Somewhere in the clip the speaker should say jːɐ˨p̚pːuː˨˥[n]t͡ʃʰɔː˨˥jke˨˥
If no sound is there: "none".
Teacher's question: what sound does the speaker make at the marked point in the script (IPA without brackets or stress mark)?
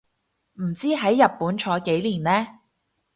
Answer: n